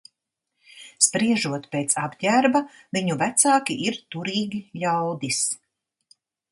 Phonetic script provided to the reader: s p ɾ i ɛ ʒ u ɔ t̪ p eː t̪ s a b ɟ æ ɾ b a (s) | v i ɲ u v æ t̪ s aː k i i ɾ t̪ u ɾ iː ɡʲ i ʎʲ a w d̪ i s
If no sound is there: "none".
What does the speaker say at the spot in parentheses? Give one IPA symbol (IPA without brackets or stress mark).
none